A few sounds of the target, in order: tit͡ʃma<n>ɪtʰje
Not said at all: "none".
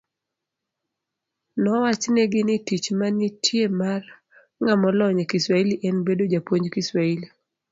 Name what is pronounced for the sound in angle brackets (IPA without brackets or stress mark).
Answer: n